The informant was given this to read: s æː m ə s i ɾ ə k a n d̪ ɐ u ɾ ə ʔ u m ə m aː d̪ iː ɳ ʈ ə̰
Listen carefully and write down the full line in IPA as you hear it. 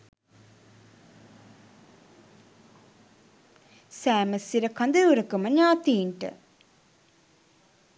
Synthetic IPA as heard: s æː m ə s i ɾ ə k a n d̪ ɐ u ɾ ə k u m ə ɲ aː t̪ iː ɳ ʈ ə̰